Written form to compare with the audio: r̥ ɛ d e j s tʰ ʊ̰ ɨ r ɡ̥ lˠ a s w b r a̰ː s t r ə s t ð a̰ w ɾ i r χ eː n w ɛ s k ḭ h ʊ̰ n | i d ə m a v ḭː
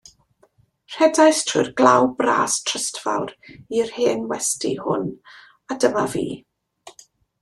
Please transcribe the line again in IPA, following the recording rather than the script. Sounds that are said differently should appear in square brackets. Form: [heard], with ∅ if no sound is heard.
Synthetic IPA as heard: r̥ ɛ d [a] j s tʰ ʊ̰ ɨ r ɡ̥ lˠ a [∅] w b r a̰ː s [tʰ] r ə s t [v] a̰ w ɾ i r [h] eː n w ɛ s [t] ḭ h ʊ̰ n | [a] d ə m a v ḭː